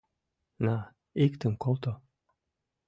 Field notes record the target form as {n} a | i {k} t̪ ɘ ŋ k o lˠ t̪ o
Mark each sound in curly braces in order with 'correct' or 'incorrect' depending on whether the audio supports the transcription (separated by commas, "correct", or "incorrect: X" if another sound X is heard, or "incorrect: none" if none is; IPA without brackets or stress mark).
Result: correct, correct